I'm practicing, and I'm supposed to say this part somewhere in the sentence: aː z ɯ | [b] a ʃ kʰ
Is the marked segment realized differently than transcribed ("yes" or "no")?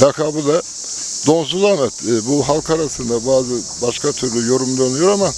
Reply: no